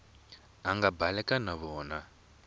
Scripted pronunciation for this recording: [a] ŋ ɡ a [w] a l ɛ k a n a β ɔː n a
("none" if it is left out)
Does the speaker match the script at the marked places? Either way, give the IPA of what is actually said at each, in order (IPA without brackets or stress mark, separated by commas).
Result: a, b